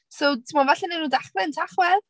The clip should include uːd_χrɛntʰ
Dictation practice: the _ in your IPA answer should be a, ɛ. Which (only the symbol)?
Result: a